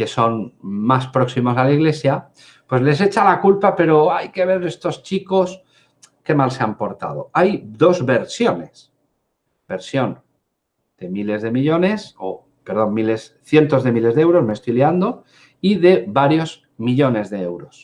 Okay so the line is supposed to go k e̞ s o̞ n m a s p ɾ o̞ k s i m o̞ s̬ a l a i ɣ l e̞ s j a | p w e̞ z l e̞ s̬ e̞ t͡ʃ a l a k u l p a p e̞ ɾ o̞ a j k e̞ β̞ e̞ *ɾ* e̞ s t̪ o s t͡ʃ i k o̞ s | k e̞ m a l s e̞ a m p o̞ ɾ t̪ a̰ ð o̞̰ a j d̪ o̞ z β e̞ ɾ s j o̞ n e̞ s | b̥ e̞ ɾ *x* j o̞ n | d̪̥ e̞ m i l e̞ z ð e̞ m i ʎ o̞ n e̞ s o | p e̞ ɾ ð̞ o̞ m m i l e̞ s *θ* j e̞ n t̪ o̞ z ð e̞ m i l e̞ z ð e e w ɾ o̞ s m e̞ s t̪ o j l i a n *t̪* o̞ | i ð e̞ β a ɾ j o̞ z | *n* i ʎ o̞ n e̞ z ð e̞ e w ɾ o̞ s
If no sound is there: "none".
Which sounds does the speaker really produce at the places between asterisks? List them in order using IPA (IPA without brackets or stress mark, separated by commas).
ɾ, s, θ, d̪, m